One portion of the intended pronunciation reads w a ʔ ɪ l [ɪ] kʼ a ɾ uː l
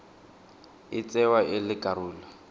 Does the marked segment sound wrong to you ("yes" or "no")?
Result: no